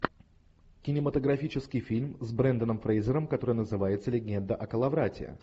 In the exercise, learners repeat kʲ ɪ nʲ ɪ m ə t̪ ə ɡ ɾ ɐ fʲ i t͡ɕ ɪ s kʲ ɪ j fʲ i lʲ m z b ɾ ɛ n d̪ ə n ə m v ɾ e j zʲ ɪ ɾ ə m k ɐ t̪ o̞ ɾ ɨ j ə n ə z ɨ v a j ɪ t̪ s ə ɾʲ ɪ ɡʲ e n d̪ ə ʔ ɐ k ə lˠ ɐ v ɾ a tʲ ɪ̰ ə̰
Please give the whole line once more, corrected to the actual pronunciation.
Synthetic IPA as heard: kʲ ɪ nʲ ɪ m ə t̪ ə ɡ ɾ ɐ fʲ i t͡ɕ ɪ s kʲ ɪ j fʲ i lʲ m z b ɾ ɛ n d̪ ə n ə m f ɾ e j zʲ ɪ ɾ ə m k ɐ t̪ o̞ ɾ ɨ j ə n ə z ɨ v a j ɪ t̪ s ə lʲ ɪ ɡʲ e n d̪ ə ʔ ɐ k ə lˠ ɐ v ɾ a tʲ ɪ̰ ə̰